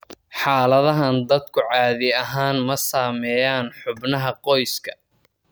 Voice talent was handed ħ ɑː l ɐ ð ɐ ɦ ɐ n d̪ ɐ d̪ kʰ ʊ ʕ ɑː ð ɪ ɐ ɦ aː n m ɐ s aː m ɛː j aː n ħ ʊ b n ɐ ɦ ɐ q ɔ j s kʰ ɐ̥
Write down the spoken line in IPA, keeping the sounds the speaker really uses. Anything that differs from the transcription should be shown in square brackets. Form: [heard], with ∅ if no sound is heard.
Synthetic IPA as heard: ħ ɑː l ɐ ð ɐ ɦ ɐ n d̪ ɐ d̪ kʰ ʊ ʕ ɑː ð ɪ ɐ ɦ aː n m ɐ s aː m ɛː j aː n ħ ʊ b n ɐ ɦ ɐ q ɔ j s kʰ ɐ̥